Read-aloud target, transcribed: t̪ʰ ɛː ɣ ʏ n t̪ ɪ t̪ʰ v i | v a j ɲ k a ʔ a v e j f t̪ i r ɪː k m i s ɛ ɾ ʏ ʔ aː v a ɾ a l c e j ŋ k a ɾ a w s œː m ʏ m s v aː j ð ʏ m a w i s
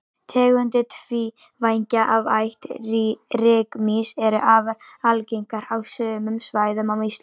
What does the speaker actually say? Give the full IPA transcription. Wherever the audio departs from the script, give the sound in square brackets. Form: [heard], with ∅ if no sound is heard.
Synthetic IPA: t̪ʰ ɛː ɣ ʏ n t̪ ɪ t̪ʰ v i | v a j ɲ [c] a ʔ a v [a] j [h] t̪ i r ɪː k m i s ɛ ɾ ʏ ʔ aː v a ɾ a l c e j ŋ k a ɾ a w s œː m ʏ m s v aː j ð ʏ m a w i s